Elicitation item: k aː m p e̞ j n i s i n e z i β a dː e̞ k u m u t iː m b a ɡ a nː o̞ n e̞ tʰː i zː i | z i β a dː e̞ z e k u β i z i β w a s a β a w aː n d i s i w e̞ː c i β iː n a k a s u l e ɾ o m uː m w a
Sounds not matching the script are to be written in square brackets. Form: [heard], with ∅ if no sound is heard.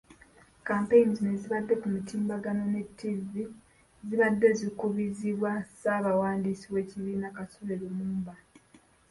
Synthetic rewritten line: k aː m p e̞ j n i [z] i n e z i β a dː e̞ k u m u t iː m b a ɡ a [n] o̞ n e̞ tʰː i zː i | z i β a dː e̞ z [i] k u β i z i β w a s a β a w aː n d i s i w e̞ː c i β iː n a k a s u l e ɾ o m uː m [b] a